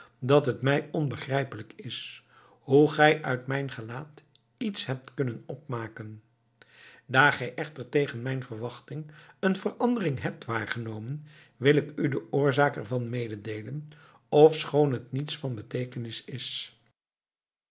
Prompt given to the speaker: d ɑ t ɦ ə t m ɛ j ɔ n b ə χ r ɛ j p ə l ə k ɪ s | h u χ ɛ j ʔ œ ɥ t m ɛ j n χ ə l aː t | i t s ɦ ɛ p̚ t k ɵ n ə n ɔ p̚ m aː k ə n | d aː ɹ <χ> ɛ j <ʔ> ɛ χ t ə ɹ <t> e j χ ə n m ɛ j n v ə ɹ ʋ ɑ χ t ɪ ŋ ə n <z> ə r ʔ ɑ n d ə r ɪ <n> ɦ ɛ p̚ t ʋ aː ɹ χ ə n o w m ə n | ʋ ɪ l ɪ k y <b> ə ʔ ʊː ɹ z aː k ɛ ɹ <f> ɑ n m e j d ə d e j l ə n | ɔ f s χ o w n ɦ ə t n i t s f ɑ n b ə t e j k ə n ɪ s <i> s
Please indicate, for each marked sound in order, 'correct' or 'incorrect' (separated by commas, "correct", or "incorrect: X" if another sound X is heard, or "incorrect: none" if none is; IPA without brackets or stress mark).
correct, correct, correct, incorrect: v, incorrect: ŋ, incorrect: d, incorrect: v, incorrect: ɪ